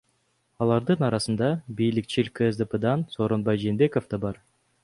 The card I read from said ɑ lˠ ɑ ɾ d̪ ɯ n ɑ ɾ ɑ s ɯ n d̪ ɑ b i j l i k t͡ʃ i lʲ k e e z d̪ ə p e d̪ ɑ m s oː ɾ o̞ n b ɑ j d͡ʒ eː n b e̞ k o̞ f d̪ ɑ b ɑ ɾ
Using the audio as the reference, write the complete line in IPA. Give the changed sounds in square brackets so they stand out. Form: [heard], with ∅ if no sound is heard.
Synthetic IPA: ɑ lˠ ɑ ɾ d̪ ɯ n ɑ ɾ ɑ s ɯ n d̪ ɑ b i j l i k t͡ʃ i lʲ k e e z d̪ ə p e d̪ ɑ [n] s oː ɾ o̞ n b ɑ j d͡ʒ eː n b e̞ k o̞ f d̪ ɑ b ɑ ɾ

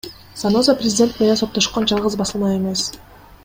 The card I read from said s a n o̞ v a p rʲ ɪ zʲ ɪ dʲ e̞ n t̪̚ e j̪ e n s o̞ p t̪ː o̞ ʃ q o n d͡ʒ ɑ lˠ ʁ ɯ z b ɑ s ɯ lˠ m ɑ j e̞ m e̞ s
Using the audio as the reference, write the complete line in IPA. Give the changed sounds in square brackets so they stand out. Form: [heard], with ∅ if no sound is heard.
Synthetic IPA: s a n o̞ [z] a p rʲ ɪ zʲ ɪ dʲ e̞ n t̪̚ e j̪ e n s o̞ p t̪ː o̞ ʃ q o n d͡ʒ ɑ lˠ ʁ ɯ z b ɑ s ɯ lˠ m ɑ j e̞ m e̞ s

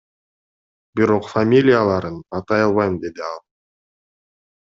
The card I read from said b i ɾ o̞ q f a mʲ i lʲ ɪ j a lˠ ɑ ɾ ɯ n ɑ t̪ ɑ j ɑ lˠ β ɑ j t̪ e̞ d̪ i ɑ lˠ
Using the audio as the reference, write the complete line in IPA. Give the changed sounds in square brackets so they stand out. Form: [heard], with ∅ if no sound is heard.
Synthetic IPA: b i ɾ o̞ q f a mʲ i lʲ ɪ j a lˠ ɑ ɾ ɯ n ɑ t̪ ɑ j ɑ lˠ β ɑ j [d̪] e̞ d̪ i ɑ lˠ

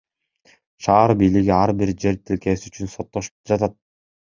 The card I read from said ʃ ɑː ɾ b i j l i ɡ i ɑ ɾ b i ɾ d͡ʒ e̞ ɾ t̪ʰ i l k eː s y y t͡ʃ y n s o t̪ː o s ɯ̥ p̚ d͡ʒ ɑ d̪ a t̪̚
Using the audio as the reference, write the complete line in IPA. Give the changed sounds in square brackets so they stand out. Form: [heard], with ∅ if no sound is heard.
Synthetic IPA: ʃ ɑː ɾ b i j l i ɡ i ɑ ɾ b i ɾ d͡ʒ e̞ ɾ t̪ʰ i l k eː s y y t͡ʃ y n s o t̪ː o [ʃ] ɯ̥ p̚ d͡ʒ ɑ [t̪] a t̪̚

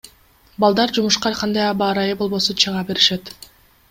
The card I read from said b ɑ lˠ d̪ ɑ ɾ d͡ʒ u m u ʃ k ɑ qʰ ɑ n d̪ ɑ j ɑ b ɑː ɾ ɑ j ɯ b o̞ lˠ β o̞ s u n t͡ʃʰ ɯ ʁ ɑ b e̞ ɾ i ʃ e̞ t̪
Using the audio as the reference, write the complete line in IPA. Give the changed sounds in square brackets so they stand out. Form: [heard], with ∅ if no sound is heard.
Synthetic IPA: b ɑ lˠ d̪ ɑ ɾ d͡ʒ u m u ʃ [q] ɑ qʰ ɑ n d̪ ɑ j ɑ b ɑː ɾ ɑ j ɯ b o̞ lˠ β o̞ s u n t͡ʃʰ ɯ ʁ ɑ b e̞ ɾ i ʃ e̞ t̪

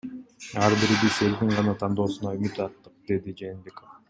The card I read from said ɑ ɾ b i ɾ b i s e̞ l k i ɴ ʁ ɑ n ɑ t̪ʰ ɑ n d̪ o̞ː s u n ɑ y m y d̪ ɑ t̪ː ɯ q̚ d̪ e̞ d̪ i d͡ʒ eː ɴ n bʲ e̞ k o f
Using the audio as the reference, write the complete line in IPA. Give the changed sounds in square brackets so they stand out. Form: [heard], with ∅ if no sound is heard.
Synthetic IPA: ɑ ɾ b i ɾ b i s e̞ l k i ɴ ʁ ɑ n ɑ t̪ʰ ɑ n d̪ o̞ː s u n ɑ y m y [t̪] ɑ t̪ː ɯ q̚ d̪ e̞ d̪ i d͡ʒ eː [∅] n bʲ e̞ k o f

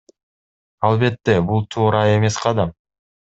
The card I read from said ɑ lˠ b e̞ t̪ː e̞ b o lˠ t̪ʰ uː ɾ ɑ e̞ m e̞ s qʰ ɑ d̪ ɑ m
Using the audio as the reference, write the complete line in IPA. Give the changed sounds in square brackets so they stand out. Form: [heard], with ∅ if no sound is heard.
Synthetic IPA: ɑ lˠ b e̞ t̪ː e̞ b [u] lˠ t̪ʰ uː ɾ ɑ e̞ m e̞ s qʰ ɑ d̪ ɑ m

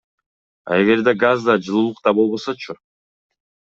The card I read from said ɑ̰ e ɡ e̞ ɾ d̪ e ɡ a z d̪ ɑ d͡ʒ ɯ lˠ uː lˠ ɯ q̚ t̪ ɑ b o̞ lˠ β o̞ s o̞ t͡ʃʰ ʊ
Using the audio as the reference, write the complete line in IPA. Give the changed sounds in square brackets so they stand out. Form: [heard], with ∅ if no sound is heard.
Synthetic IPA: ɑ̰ e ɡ e̞ ɾ d̪ e ɡ a z d̪ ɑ d͡ʒ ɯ lˠ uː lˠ [u] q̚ t̪ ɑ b o̞ lˠ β o̞ s o̞ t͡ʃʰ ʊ

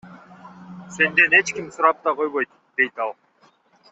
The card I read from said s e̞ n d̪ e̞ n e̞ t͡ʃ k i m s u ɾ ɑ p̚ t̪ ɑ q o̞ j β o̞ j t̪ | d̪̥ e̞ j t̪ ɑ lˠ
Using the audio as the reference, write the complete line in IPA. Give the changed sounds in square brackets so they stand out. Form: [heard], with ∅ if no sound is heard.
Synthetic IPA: s e̞ n d̪ e̞ n e̞ t͡ʃ k i m s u ɾ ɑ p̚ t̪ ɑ q o̞ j β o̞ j t̪ | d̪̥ e̞ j t̪ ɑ lˠ

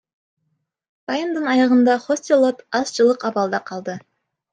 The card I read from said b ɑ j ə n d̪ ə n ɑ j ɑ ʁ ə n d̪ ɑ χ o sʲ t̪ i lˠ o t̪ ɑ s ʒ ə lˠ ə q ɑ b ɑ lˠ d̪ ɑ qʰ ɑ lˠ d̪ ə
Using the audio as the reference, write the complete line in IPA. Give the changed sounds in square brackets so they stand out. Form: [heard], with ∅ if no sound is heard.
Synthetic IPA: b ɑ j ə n d̪ ə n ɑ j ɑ ʁ ə n d̪ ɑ χ o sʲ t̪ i lˠ o t̪ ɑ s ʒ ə lˠ ə q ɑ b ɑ lˠ d̪ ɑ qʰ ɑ lˠ d̪ ə

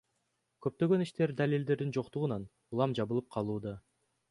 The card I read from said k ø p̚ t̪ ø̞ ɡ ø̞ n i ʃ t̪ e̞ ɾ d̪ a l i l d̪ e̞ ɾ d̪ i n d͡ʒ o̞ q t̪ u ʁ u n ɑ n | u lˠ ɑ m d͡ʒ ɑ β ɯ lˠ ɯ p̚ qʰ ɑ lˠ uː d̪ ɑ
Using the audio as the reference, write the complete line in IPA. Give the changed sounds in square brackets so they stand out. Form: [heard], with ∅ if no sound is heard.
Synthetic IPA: k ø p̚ t̪ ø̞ ɡ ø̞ n i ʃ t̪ e̞ ɾ d̪ a l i l d̪ e̞ ɾ d̪ i n d͡ʒ o̞ q t̪ u ʁ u n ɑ n | u lˠ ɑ m d͡ʒ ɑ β ɯ lˠ ɯ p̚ qʰ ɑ lˠ uː d̪ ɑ

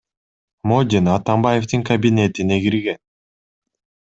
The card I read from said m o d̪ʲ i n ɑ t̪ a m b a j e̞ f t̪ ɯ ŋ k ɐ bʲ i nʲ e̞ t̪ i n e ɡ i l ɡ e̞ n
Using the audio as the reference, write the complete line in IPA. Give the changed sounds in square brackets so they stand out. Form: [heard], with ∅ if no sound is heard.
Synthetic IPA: m o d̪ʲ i n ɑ t̪ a m b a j e̞ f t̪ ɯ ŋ k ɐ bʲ i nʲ e̞ t̪ i n e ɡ i [ɾ] ɡ e̞ n

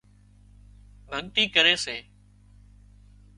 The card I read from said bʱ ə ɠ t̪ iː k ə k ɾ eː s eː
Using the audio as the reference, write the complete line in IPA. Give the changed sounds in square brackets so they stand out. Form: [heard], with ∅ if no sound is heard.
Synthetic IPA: bʱ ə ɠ t̪ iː k ə [∅] ɾ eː s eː

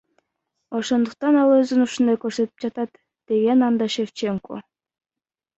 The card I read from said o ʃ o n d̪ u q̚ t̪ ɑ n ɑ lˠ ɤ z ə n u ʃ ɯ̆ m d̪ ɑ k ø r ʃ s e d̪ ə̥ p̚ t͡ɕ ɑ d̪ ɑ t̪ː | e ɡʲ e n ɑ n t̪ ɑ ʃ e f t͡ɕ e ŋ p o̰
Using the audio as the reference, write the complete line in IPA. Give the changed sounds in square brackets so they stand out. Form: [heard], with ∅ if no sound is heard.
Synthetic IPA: o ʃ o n d̪ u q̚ t̪ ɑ n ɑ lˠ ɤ z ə n u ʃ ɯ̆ [n] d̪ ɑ k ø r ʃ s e [t̪] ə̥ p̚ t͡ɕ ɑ [t̪] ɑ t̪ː | e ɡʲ e n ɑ n [d̪] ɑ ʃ e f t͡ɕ e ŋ [k] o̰

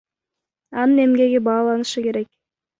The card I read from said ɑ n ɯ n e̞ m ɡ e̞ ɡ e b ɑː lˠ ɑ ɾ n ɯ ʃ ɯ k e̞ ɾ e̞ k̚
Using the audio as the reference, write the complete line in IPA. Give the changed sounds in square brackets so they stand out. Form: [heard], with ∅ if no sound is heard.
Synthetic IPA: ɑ n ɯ n e̞ m ɡ e̞ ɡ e b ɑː lˠ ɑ [∅] n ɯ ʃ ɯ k e̞ ɾ e̞ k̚

